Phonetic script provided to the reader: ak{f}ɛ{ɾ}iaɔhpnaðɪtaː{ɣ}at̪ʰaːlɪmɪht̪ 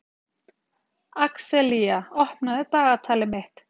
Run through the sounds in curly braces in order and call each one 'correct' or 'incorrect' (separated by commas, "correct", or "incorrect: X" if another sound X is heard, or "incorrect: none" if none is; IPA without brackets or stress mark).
incorrect: s, incorrect: l, correct